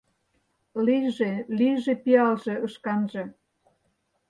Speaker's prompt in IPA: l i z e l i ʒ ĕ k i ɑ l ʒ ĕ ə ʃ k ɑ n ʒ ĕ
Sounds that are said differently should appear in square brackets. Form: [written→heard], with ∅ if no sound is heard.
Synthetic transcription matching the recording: l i [z→ʒ] e l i ʒ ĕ [k→p] i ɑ l ʒ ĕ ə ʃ k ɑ n ʒ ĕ